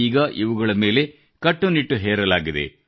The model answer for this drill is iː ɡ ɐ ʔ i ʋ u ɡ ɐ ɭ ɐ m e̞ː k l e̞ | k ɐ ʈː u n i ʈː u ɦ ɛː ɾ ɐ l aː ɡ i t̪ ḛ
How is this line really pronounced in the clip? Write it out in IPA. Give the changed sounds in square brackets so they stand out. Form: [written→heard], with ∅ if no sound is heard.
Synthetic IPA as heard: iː ɡ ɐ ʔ i ʋ u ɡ ɐ ɭ ɐ m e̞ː [k→∅] l e̞ | k ɐ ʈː u n i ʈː u ɦ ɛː ɾ ɐ l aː ɡ i [t̪→d̪] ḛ